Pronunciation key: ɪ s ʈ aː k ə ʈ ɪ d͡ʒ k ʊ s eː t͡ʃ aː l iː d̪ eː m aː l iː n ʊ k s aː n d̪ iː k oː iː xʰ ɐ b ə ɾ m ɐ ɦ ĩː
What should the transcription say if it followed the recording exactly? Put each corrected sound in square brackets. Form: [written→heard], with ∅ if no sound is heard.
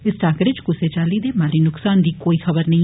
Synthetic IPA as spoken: ɪ s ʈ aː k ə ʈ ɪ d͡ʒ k ʊ s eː t͡ʃ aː l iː d̪ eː m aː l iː n ʊ k s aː n d̪ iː k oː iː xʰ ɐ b ə ɾ [m→n] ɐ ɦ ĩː